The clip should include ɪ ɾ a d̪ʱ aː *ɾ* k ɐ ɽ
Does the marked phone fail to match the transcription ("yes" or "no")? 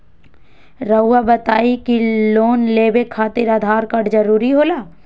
no